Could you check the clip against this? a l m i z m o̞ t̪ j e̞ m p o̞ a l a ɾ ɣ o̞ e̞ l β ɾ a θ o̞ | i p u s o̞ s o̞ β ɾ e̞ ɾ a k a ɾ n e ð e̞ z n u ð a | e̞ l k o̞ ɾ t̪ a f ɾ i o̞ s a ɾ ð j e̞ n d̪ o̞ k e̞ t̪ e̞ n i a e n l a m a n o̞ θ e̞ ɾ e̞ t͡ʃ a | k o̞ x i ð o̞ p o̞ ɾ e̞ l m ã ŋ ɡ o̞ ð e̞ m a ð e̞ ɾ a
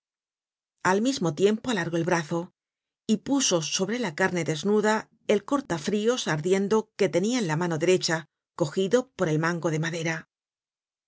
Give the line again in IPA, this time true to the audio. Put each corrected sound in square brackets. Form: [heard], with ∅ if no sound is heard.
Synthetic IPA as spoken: a l m i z m o̞ t̪ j e̞ m p o̞ a l a ɾ ɣ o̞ e̞ l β ɾ a θ o̞ | i p u s o̞ s o̞ β ɾ e̞ [l] a k a ɾ n e ð e̞ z n u ð a | e̞ l k o̞ ɾ t̪ a f ɾ i o̞ s a ɾ ð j e̞ n d̪ o̞ k e̞ t̪ e̞ n i a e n l a m a n o̞ [ð] e̞ ɾ e̞ t͡ʃ a | k o̞ x i ð o̞ p o̞ ɾ e̞ l m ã ŋ ɡ o̞ ð e̞ m a ð e̞ ɾ a

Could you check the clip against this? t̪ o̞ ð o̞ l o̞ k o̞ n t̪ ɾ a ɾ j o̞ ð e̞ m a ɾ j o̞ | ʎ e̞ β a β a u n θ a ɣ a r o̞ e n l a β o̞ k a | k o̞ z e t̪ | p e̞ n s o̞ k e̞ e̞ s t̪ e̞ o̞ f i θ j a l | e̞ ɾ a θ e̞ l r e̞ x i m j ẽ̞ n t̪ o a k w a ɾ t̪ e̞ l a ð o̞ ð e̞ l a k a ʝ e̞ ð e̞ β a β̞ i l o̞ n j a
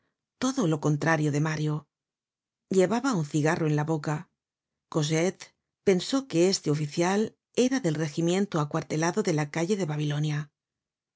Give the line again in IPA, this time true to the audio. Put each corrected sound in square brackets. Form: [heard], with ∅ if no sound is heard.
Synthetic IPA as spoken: t̪ o̞ ð o̞ l o̞ k o̞ n t̪ ɾ a ɾ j o̞ ð e̞ m a ɾ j o̞ | ʎ e̞ β a β a u n θ [i] ɣ a r o̞ e n l a β o̞ k a | k o̞ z e t̪ | p e̞ n s o̞ k e̞ e̞ s t̪ e̞ o̞ f i θ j a l | e̞ ɾ a [ð] e̞ l r e̞ x i m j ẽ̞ n t̪ o a k w a ɾ t̪ e̞ l a ð o̞ ð e̞ l a k a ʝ e̞ ð e̞ β a β̞ i l o̞ n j a

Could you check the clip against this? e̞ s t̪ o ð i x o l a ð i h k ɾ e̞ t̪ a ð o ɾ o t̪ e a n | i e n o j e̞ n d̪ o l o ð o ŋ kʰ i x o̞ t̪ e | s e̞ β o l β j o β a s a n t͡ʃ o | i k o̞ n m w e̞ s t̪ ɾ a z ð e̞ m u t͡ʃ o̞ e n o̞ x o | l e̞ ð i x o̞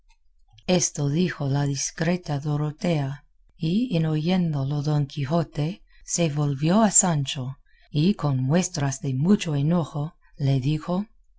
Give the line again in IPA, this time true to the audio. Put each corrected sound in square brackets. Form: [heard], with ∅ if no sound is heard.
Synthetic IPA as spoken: e̞ s t̪ o ð i x o l a ð i [s] k ɾ e̞ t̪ a ð o ɾ o t̪ e a [∅] | i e n o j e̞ n d̪ o l o ð o ŋ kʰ i x o̞ t̪ e | s e̞ β o l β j o [∅] a s a n t͡ʃ o | i k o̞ n m w e̞ s t̪ ɾ a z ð e̞ m u t͡ʃ o̞ e n o̞ x o | l e̞ ð i x o̞

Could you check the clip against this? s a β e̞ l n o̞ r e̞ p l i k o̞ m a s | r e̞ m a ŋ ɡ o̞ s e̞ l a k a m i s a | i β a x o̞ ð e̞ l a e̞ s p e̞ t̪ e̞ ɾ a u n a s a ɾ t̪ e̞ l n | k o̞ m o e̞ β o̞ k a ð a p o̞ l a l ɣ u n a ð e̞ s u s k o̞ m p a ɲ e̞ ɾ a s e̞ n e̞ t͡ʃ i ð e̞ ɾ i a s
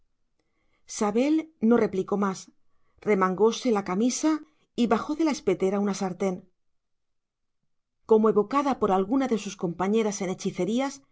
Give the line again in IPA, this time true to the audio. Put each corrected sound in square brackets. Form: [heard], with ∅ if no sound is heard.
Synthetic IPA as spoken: s a β e̞ l n o̞ r e̞ p l i k o̞ m a s | r e̞ m a ŋ ɡ o̞ s e̞ l a k a m i s a | i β a x o̞ ð e̞ l a e̞ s p e̞ t̪ e̞ ɾ a u n a s a ɾ t̪ e̞ [∅] n | k o̞ m o e̞ β o̞ k a ð a p o̞ [ɾ] a l ɣ u n a ð e̞ s u s k o̞ m p a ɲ e̞ ɾ a s e̞ n e̞ t͡ʃ i [θ] e̞ ɾ i a s

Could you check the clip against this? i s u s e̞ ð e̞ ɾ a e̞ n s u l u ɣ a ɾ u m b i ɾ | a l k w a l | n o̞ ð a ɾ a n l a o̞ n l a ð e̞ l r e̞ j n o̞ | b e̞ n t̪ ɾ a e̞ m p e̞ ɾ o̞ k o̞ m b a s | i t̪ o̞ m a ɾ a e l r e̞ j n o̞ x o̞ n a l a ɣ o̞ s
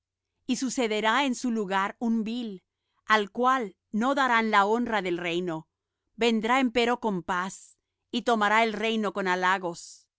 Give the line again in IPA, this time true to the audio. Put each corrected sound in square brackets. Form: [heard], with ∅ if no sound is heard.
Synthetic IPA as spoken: i s u s e̞ ð e̞ ɾ a e̞ n s u l u ɣ a ɾ u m b i [l] | a l k w a l | n o̞ ð a ɾ a n l a o̞ n [r] a ð e̞ l r e̞ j n o̞ | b e̞ n [d̪] ɾ a e̞ m p e̞ ɾ o̞ k o̞ m [p] a s | i t̪ o̞ m a ɾ a e l r e̞ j n o̞ [k] o̞ n a l a ɣ o̞ s

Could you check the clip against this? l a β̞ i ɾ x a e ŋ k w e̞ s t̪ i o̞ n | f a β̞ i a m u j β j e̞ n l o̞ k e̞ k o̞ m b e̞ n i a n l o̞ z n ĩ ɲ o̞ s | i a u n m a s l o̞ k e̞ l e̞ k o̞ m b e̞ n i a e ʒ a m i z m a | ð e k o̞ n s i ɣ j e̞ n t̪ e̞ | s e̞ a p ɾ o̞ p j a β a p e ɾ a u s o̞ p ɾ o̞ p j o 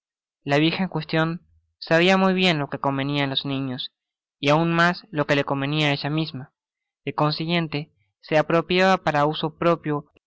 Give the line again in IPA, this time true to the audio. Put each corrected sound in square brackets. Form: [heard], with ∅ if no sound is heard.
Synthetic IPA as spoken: l a β̞ i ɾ x a e ŋ k w e̞ s t̪ [j] o̞ n | [s] a β̞ i a m u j β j e̞ n l o̞ k e̞ k o̞ m b e̞ n i a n l o̞ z n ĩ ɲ o̞ s | i a u n m a s l o̞ k e̞ l e̞ k o̞ m b e̞ n i a e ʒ a m i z m a | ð e k o̞ n s i ɣ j e̞ n t̪ e̞ | s e̞ a p ɾ o̞ p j a β a p [a] ɾ a u s o̞ p ɾ o̞ p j o

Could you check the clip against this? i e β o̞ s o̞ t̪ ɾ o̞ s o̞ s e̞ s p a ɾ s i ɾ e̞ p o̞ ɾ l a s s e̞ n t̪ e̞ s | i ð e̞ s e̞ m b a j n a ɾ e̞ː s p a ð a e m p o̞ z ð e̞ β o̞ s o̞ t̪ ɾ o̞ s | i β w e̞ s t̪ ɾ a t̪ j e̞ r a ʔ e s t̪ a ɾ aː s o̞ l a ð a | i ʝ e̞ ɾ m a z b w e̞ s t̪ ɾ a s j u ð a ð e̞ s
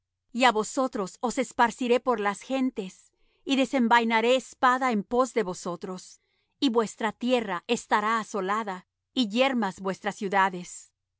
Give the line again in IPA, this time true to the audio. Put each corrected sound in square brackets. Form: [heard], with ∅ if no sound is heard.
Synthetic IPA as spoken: i [a] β o̞ s o̞ t̪ ɾ o̞ s o̞ s e̞ s p a ɾ s i ɾ e̞ p o̞ ɾ l a s [x] e̞ n t̪ e̞ s | i ð e̞ s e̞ m b a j n a ɾ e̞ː s p a ð a e m p o̞ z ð e̞ β o̞ s o̞ t̪ ɾ o̞ s | i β w e̞ s t̪ ɾ a t̪ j e̞ r a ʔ e s t̪ a ɾ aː s o̞ l a ð a | i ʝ e̞ ɾ m a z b w e̞ s t̪ ɾ a s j u ð a ð e̞ s

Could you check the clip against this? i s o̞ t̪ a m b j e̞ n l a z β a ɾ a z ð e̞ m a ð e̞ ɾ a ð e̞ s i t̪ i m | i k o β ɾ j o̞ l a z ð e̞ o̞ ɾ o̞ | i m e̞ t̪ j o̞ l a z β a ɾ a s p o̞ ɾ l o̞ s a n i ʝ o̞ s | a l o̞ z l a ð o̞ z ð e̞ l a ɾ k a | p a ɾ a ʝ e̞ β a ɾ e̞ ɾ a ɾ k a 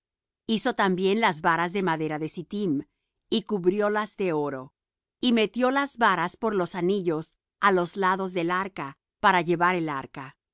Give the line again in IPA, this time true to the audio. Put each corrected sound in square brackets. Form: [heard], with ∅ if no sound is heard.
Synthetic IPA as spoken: i s o̞ t̪ a m b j e̞ n l a z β a ɾ a z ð e̞ m a ð e̞ ɾ a ð e̞ s i t̪ i m | i k [u] β ɾ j o̞ l a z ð e̞ o̞ ɾ o̞ | i m e̞ t̪ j o̞ l a z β a ɾ a s p o̞ ɾ l o̞ s a n i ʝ o̞ s | a l o̞ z l a ð o̞ z ð e̞ l a ɾ k a | p a ɾ a ʝ e̞ β a ɾ e̞ [l] a ɾ k a

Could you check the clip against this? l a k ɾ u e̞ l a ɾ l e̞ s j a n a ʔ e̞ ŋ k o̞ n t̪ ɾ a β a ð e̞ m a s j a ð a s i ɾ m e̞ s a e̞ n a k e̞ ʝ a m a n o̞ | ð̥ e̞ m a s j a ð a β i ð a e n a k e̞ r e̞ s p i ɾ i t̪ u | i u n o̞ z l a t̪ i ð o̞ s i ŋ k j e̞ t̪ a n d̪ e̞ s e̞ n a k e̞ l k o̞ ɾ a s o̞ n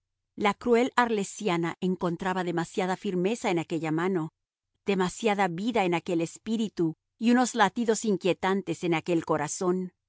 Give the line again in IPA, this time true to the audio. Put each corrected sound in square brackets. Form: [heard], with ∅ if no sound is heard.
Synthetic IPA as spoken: l a k ɾ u e̞ l a ɾ l e̞ s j a n a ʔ e̞ ŋ k o̞ n t̪ ɾ a β a ð e̞ m a s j a ð a [f] i ɾ m e̞ s a e̞ n a k e̞ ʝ a m a n o̞ | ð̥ e̞ m a s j a ð a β i ð a e n a k e̞ [l] e̞ s p i ɾ i t̪ u | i u n o̞ z l a t̪ i ð o̞ s i ŋ k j e̞ t̪ a n [t̪] e̞ s e̞ n a k e̞ l k o̞ ɾ a s o̞ n

